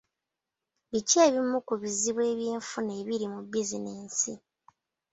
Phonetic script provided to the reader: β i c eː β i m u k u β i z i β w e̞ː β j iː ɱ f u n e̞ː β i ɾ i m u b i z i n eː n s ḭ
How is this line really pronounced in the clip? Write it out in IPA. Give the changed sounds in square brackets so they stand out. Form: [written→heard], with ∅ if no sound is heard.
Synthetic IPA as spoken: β i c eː β i m u k u β i z i β w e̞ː β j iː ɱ f u n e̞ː β i ɾ i m u b i z i n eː n s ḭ